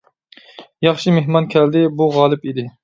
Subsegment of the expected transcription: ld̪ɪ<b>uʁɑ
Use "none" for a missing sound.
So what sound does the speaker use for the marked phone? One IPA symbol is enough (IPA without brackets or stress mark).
b